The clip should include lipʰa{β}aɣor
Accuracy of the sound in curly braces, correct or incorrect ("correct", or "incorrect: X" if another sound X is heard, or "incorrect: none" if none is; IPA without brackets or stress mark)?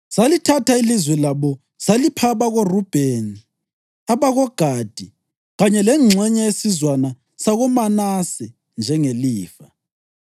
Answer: correct